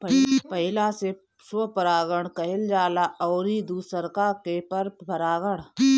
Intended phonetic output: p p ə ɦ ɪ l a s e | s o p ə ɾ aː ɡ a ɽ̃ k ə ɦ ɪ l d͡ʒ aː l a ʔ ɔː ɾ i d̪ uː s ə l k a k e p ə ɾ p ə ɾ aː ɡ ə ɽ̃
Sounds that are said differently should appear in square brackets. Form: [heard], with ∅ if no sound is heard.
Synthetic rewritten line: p p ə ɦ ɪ l a s e | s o p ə ɾ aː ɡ [ə] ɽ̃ k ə ɦ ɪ l d͡ʒ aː l a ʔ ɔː ɾ i d̪ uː s ə [ɾ] k a k e p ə ɾ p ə ɾ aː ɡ ə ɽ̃